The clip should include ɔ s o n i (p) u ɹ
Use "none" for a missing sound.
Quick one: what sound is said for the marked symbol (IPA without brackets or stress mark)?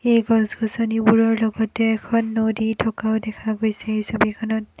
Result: b